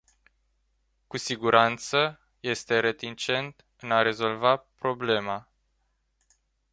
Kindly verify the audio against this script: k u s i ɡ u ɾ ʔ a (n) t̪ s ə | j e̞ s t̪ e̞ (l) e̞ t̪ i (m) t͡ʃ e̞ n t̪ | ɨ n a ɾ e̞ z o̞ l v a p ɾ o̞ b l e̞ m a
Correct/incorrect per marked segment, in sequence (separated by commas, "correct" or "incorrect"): correct, incorrect, incorrect